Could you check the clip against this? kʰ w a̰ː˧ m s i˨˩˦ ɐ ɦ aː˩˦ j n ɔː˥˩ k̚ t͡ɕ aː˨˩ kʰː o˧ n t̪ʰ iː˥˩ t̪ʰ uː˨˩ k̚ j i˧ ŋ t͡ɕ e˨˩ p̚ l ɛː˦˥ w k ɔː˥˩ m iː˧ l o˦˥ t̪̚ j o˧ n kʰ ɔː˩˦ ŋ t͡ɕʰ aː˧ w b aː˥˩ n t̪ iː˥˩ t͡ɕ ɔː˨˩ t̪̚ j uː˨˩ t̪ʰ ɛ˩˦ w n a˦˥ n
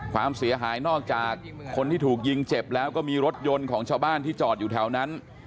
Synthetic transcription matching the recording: kʰ w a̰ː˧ m s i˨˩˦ ɐ ɦ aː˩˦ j n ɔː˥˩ k̚ t͡ɕ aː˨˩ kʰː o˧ n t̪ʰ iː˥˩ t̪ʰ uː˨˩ k̚ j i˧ ŋ t͡ɕ e˨˩ p̚ l ɛː˦˥ w k ɔː˥˩ m iː˧ ɾ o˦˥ t̪̚ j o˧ n kʰ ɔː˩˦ ŋ t͡ɕʰ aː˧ w b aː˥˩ n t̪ iː˥˩ t͡ɕ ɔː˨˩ t̪̚ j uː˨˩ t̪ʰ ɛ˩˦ w n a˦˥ n